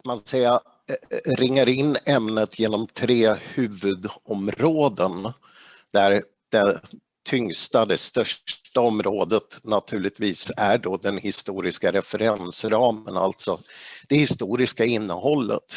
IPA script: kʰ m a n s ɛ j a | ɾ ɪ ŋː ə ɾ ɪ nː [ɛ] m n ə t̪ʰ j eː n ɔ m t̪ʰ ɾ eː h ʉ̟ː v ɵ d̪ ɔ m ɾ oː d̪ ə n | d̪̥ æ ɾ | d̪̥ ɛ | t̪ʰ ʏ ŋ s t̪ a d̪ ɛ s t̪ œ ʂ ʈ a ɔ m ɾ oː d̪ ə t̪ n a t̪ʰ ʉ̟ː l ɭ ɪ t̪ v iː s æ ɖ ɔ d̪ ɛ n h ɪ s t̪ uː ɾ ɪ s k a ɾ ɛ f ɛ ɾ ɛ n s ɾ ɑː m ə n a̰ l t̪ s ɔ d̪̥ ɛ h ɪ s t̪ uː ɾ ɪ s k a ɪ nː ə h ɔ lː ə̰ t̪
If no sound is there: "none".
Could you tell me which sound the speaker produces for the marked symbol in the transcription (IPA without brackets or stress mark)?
ɛ